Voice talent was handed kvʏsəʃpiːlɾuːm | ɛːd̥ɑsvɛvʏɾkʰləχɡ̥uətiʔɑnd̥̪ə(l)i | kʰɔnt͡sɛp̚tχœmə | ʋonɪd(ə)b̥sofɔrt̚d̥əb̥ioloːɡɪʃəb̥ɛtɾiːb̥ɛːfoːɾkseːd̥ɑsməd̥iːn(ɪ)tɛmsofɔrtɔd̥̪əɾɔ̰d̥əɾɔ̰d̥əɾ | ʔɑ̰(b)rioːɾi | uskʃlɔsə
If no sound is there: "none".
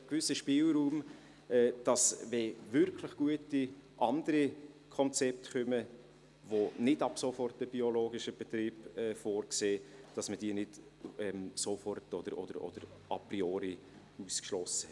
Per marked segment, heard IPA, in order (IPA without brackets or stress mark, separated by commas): ɾ, ɑ, ɪ, p